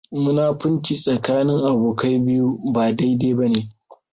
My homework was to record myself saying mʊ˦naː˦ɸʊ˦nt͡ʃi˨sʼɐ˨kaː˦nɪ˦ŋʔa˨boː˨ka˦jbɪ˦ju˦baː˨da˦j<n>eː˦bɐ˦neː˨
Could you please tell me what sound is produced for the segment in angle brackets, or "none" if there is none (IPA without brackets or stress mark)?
d